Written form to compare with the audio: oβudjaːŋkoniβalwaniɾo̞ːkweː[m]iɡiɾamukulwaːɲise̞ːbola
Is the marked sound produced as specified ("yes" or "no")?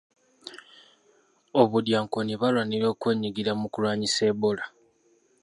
no